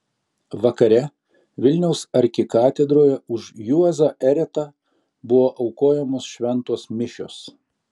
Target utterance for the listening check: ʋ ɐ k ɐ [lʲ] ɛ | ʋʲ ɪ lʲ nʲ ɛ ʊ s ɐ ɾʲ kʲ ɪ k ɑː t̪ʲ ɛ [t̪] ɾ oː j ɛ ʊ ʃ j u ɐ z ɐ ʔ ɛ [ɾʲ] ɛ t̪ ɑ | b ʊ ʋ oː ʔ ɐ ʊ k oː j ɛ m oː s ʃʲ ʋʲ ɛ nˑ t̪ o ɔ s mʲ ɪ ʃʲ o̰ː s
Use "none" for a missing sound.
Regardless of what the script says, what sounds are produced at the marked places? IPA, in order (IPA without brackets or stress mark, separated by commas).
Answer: ɾʲ, d̪, ɾʲ